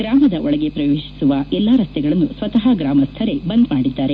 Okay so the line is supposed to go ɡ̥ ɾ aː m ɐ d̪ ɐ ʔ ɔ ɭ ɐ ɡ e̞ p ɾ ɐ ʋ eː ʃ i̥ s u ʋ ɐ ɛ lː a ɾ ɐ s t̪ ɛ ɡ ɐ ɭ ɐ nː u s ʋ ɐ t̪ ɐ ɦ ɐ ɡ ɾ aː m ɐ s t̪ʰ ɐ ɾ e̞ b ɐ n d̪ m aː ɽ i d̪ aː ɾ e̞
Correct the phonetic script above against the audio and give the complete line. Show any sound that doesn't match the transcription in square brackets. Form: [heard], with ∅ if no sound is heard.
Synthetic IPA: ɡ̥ ɾ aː m ɐ d̪ ɐ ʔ ɔ ɭ ɐ ɡ e̞ p ɾ ɐ ʋ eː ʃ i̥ s u ʋ ɐ ɛ lː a ɾ ɐ s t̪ ɛ ɡ ɐ ɭ ɐ nː u s ʋ ɐ t̪ ɐ ɦ ɐ ɡ ɾ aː m ɐ s t̪ʰ ɐ ɾ e̞ b ɐ n d̪ m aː ɽ i [d̪ː] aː ɾ e̞